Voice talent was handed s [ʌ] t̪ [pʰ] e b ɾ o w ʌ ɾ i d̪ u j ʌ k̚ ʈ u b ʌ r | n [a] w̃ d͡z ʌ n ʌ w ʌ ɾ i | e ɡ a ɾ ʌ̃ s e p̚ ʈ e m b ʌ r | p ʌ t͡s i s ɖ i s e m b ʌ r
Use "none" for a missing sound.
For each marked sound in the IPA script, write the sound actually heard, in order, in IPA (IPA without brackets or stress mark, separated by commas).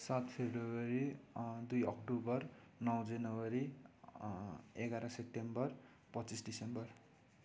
a, pʰ, ʌ